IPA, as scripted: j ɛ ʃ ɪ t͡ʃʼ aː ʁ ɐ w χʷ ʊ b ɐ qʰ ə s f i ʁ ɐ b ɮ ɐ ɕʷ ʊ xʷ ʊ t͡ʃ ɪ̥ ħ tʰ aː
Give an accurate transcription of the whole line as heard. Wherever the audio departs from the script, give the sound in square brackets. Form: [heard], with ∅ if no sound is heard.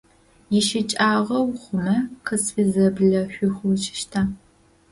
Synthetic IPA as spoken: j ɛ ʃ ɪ t͡ʃʼ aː ʁ ɐ w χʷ ʊ [m] ɐ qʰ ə s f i [z] ɐ b ɮ ɐ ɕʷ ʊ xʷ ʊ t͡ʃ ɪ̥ [ʃ] tʰ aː